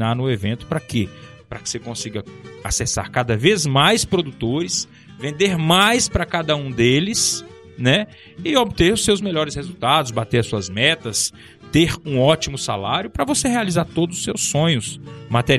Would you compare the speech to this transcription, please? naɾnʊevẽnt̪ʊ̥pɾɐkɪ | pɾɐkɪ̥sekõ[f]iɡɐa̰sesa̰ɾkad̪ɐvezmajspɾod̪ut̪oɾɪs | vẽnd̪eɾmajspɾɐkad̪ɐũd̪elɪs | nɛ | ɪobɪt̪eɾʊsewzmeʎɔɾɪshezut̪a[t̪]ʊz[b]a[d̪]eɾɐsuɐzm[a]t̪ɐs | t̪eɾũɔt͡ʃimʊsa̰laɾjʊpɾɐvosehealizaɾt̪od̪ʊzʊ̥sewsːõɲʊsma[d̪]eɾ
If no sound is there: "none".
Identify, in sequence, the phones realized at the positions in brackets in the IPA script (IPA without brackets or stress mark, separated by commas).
s, d̪, b, t̪, ɛ, t̪